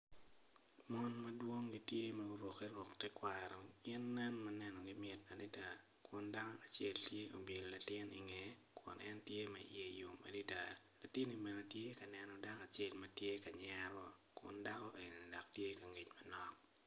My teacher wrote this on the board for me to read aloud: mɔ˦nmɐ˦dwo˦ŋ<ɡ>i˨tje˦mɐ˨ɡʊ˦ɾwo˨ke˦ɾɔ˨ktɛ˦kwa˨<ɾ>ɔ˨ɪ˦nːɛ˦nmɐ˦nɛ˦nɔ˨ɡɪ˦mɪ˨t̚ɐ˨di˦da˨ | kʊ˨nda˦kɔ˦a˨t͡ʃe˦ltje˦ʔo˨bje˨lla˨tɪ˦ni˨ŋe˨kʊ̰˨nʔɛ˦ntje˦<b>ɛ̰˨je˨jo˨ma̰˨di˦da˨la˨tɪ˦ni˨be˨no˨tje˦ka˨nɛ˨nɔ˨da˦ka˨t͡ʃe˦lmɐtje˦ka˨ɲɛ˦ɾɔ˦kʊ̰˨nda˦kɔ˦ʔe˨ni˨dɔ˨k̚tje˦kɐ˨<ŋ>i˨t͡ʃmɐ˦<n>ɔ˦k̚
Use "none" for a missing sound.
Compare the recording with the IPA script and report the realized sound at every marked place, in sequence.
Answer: ɡ, ɾ, m, ŋ, n

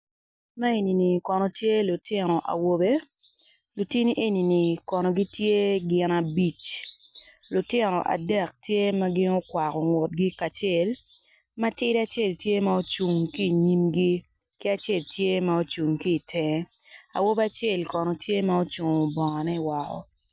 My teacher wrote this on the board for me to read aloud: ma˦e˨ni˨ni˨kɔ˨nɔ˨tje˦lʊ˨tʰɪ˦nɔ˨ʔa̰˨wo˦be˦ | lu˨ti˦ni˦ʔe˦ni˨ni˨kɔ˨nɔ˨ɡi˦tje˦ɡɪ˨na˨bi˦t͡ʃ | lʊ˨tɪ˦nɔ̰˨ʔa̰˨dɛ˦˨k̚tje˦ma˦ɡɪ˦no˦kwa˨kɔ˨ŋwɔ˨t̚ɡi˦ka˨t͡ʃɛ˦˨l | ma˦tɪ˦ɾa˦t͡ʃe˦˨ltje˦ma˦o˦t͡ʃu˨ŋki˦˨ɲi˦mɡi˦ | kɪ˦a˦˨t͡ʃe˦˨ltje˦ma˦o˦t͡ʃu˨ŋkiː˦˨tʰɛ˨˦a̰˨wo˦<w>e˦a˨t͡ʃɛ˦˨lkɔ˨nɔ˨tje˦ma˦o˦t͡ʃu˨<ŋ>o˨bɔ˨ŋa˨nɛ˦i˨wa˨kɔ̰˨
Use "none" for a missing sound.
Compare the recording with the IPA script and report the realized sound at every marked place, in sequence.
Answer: b, ŋ

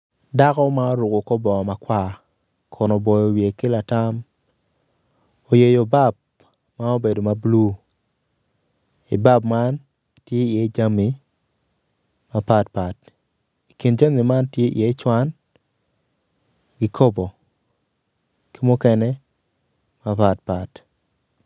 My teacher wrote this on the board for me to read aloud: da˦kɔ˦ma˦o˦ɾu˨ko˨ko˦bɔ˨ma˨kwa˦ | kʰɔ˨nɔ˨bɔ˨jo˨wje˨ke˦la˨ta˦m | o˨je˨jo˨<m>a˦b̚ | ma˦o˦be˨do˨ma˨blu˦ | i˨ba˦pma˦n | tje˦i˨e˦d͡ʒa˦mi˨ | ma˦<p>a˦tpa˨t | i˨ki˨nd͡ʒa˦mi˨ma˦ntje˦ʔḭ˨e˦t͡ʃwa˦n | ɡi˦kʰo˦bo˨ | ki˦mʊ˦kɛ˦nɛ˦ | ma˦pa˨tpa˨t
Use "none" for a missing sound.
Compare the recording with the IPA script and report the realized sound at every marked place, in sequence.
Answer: b, p

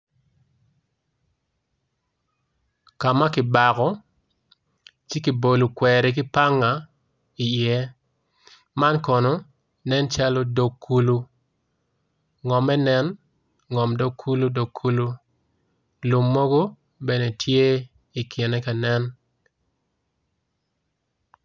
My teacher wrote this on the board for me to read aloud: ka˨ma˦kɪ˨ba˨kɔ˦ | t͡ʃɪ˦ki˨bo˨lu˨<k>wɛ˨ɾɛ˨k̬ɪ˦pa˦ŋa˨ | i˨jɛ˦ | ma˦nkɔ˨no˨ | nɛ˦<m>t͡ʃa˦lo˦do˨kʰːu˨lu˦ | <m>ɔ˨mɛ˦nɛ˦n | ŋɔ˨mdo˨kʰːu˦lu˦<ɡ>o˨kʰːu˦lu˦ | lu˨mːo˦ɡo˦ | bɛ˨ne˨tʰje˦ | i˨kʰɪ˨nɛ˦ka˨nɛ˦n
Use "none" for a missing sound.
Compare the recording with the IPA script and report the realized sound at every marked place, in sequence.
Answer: k, n, ŋ, d

